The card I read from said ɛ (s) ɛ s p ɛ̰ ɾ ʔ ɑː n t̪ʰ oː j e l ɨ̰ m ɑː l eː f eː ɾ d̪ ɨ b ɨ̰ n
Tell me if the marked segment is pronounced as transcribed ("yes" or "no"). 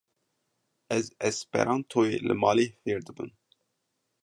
no